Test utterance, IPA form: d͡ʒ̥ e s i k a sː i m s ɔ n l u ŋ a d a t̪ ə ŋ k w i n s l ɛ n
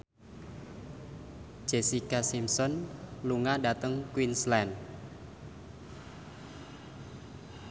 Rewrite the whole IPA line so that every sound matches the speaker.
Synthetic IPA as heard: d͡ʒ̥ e s i k a s i m s ɔ n l u ŋ a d a t̪ ə ŋ k w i n s l ɛ n